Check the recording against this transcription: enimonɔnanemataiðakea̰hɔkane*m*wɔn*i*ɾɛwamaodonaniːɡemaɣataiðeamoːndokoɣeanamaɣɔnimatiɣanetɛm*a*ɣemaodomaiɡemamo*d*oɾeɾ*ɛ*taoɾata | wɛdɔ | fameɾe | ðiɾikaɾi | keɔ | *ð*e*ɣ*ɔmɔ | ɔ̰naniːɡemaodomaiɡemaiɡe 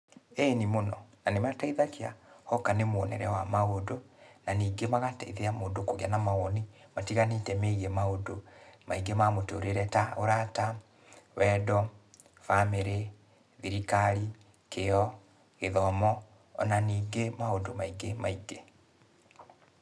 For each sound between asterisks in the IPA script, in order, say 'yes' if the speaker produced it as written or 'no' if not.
yes, no, no, no, yes, no, no

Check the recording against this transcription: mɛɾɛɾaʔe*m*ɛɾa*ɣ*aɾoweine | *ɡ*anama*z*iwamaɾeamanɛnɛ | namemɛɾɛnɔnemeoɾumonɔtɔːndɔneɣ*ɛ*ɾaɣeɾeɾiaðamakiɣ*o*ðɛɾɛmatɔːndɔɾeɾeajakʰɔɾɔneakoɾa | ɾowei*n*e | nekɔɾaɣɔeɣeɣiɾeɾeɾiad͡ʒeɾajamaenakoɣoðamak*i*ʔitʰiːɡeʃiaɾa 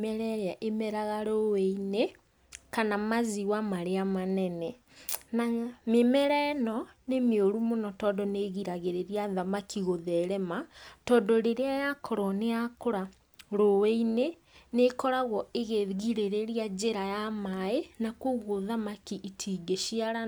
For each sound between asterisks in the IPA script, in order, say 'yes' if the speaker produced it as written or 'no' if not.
yes, yes, no, yes, no, yes, yes, yes

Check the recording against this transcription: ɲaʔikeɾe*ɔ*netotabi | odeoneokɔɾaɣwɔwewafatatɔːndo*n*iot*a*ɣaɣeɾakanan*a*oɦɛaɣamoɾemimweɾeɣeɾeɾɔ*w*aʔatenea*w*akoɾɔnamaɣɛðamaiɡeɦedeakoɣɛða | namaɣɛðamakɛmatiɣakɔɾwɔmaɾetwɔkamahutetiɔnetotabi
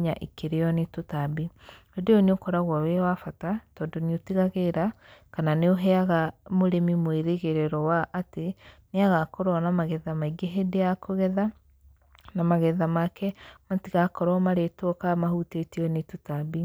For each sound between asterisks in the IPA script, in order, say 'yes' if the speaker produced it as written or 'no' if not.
yes, yes, no, no, yes, no

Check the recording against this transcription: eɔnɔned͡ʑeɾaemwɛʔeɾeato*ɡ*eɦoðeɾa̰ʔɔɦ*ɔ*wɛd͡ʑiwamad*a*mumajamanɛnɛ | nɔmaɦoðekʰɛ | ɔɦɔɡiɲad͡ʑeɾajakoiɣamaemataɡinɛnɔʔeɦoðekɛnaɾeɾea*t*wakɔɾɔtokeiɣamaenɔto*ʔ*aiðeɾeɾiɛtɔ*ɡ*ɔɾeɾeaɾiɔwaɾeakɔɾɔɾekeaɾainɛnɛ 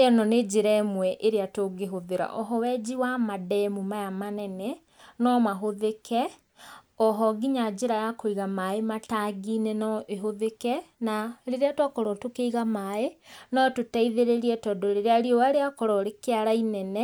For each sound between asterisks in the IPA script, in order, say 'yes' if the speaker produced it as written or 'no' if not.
yes, yes, no, yes, no, no

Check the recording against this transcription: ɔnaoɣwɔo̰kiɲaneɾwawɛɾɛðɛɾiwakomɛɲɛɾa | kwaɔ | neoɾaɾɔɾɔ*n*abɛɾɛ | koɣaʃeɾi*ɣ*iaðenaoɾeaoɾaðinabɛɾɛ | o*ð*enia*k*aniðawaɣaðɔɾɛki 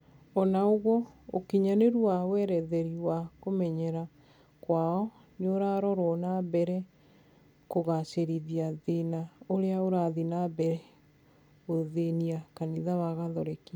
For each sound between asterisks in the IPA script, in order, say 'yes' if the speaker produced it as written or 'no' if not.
yes, no, yes, yes

